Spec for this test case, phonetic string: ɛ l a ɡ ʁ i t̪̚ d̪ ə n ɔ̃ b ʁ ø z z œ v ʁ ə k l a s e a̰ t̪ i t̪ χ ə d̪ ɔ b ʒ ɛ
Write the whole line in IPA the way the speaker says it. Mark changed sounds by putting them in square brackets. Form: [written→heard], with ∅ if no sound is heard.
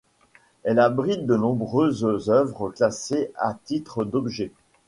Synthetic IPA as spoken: ɛ l a [ɡ→b] ʁ i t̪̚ d̪ ə n ɔ̃ b ʁ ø z z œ v ʁ ə k l a s e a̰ t̪ i t̪ χ ə d̪ ɔ b ʒ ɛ